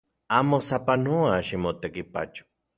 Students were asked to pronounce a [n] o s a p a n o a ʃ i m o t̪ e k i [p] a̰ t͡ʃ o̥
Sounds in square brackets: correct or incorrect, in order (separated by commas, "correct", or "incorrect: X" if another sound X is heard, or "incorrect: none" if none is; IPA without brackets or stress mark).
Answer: incorrect: m, correct